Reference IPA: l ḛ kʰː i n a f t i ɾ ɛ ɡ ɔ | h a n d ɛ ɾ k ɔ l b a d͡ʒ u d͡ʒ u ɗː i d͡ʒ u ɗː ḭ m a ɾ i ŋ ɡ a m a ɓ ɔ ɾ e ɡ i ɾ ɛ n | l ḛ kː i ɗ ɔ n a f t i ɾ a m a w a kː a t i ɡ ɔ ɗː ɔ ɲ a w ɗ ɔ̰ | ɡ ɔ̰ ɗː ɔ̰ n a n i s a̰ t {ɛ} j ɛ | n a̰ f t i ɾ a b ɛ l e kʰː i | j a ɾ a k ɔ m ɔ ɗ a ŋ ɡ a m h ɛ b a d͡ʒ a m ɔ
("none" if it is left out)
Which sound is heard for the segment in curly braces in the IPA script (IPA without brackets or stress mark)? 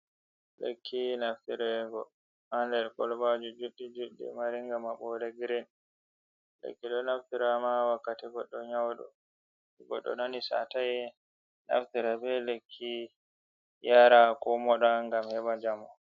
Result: a